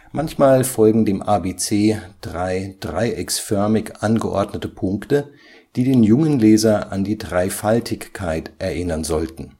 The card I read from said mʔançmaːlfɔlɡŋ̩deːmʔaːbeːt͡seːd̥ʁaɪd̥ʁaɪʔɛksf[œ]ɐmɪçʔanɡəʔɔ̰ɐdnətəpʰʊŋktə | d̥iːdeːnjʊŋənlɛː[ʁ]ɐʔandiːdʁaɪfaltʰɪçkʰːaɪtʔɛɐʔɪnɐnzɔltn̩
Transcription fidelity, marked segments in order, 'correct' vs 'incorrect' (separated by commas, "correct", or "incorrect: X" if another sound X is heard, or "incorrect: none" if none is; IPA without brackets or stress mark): correct, incorrect: z